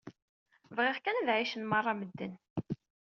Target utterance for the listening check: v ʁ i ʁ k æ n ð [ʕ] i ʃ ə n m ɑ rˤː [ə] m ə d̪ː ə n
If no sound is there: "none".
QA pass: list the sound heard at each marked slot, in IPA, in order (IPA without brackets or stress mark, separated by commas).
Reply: ʕ, ɑ